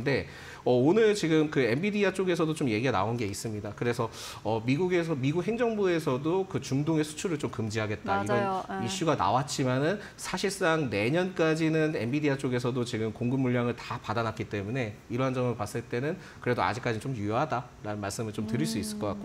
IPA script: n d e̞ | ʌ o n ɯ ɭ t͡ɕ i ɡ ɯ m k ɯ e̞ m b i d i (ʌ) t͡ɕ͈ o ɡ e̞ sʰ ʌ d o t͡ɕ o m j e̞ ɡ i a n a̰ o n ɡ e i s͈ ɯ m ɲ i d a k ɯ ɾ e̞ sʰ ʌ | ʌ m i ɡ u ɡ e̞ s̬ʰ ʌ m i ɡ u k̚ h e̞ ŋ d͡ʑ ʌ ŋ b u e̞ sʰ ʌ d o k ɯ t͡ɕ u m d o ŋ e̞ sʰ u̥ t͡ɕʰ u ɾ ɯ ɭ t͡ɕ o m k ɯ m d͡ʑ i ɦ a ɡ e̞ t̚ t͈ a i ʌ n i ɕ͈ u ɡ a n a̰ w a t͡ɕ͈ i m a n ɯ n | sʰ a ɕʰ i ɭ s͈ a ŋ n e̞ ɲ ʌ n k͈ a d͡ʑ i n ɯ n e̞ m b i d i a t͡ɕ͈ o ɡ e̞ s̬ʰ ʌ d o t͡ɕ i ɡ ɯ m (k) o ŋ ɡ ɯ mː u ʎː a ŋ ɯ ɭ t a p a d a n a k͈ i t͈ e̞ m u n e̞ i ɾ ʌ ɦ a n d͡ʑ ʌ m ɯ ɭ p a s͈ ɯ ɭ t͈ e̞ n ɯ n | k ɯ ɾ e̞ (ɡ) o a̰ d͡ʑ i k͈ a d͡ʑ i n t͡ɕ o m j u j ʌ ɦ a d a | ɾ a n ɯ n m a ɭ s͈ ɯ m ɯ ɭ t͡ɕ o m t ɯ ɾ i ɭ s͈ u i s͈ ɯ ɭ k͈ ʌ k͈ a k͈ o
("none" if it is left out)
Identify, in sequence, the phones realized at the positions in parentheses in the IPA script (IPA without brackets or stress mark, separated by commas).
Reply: a, k, d